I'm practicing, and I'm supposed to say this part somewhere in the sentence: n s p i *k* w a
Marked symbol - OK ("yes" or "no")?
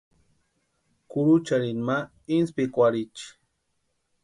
yes